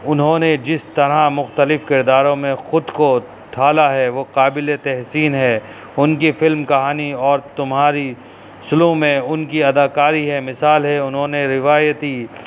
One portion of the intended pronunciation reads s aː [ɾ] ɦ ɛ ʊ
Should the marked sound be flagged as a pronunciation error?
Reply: yes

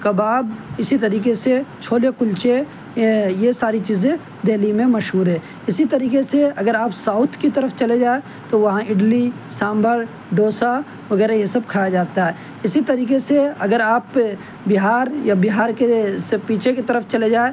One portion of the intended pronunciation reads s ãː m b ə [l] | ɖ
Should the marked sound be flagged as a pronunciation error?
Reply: yes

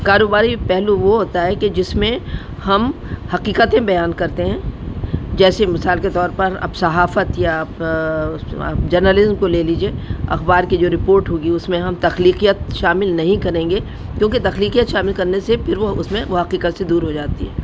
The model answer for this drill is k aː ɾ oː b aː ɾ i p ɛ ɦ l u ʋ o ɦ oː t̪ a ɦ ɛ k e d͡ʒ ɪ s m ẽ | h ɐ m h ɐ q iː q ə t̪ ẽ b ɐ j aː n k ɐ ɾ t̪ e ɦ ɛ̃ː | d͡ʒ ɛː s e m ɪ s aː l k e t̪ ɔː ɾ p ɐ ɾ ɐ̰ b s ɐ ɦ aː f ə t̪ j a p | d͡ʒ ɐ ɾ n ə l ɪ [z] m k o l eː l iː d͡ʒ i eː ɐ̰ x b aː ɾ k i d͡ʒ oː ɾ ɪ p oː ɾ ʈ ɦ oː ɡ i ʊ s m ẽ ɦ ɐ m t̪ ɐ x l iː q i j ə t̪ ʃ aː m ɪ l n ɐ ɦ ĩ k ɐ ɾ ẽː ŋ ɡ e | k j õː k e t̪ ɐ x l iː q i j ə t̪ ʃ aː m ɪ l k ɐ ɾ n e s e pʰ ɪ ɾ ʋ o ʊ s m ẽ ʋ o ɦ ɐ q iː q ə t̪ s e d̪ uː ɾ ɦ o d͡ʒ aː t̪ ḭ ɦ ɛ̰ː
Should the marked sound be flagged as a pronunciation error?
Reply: no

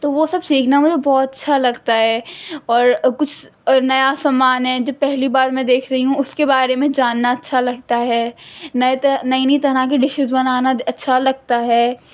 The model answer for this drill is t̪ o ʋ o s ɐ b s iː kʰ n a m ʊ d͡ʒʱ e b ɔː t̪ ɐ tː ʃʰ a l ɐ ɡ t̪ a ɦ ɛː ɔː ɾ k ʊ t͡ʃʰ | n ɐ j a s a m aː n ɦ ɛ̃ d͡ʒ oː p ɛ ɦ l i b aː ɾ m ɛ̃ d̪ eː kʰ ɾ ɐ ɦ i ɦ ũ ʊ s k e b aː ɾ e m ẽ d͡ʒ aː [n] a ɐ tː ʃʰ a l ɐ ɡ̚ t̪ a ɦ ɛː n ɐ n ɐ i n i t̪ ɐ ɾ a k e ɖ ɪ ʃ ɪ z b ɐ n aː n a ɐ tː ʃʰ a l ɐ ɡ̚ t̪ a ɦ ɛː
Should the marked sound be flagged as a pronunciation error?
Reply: yes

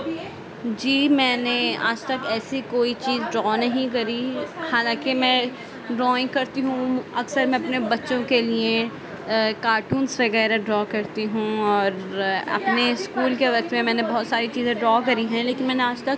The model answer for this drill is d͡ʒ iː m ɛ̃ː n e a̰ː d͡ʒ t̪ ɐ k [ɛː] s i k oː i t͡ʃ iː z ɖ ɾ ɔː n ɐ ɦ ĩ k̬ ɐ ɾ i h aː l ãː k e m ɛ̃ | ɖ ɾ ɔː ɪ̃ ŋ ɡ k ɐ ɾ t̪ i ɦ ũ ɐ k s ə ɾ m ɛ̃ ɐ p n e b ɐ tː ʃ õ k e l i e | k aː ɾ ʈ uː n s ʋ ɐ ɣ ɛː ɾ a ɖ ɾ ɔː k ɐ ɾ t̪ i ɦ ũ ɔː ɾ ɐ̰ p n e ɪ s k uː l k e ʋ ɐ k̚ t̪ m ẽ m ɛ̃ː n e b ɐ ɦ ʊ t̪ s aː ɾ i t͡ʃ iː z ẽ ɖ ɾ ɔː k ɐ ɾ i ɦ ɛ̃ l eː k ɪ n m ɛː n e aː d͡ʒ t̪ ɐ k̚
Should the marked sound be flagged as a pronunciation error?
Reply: no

